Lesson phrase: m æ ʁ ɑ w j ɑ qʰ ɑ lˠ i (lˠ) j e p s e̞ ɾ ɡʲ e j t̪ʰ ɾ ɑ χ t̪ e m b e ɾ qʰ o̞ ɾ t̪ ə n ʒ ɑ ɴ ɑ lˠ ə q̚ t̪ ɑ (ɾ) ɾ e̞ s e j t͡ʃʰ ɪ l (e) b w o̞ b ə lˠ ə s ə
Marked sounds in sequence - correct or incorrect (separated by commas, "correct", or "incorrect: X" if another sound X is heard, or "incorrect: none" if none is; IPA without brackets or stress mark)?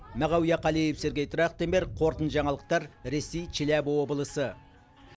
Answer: incorrect: none, correct, incorrect: æ